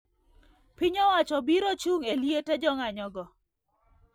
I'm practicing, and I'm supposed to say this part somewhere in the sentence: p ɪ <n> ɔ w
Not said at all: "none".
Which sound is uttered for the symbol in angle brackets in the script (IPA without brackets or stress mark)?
ɲ